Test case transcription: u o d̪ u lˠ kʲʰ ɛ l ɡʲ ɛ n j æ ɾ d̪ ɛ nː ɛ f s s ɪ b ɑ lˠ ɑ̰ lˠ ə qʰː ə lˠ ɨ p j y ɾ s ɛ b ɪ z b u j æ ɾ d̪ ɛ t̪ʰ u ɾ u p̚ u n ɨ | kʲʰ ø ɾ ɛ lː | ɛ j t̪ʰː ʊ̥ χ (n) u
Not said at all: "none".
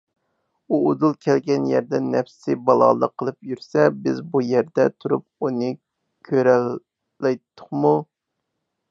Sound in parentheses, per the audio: m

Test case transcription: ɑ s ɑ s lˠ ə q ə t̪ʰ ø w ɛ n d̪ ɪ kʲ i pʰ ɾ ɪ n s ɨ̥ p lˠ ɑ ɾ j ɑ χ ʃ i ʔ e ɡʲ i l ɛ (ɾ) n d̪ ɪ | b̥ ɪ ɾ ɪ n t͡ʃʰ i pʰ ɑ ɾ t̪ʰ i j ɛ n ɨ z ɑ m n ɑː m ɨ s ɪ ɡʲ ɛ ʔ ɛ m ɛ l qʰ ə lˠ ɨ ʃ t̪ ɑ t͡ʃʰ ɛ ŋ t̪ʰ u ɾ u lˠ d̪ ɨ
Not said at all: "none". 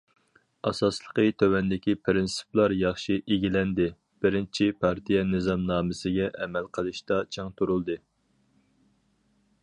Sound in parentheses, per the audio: none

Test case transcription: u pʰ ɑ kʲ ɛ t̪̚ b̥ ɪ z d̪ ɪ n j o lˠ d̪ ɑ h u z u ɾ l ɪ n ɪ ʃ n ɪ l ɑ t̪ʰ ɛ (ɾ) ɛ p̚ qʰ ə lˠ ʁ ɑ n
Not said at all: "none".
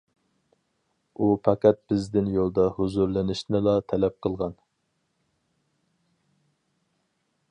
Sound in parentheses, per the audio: l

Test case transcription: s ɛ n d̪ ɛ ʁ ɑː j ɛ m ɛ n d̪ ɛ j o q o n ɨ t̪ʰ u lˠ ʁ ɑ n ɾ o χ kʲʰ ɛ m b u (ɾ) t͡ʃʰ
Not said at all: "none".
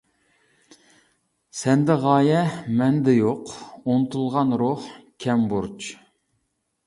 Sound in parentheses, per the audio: ɾ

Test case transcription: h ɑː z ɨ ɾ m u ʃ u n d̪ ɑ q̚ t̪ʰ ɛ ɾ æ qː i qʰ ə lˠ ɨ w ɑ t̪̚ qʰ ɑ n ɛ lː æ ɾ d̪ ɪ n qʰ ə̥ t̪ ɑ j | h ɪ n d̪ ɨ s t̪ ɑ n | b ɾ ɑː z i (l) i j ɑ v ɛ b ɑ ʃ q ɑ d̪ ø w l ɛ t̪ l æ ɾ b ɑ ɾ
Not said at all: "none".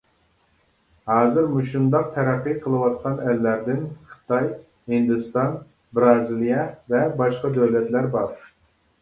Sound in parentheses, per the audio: l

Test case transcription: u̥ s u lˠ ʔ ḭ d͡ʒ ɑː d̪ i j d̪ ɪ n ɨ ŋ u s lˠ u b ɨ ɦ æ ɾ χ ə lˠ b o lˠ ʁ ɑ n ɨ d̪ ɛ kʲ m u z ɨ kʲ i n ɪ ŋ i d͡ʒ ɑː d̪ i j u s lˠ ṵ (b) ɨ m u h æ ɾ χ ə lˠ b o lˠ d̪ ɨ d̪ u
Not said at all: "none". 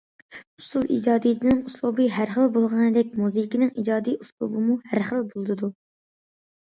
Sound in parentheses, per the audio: b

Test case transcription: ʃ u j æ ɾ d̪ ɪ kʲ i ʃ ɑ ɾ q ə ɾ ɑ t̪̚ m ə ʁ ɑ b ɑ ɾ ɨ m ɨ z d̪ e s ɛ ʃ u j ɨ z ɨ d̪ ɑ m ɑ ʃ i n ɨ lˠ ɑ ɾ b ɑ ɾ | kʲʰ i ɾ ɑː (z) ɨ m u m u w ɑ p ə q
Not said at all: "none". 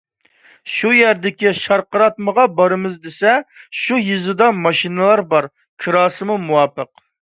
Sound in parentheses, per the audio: s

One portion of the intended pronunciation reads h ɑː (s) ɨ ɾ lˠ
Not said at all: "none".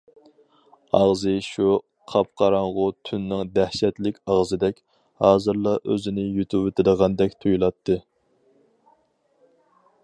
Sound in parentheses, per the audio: z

